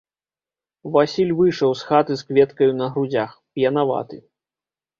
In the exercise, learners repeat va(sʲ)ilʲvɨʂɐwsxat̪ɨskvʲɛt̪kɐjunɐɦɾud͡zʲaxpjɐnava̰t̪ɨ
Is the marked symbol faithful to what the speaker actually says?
yes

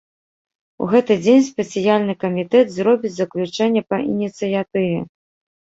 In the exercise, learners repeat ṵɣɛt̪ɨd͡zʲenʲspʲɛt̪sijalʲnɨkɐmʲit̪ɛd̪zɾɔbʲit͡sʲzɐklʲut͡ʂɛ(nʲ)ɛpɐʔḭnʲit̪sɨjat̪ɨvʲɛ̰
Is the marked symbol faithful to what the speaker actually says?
no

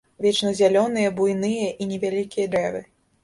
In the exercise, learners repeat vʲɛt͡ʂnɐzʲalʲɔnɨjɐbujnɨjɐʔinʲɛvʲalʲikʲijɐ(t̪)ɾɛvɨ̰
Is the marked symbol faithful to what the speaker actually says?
no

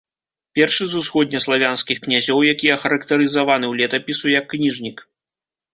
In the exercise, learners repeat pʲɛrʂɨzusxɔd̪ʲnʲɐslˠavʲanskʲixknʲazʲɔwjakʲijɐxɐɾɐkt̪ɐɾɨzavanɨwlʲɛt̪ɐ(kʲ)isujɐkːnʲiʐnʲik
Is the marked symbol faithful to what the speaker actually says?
no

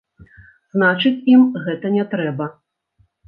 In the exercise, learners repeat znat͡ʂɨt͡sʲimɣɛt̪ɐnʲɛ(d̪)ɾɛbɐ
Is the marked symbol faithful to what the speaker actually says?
no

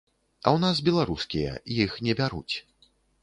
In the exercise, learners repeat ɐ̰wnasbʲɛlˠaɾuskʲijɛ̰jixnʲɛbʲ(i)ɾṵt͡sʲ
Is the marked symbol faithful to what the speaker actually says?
no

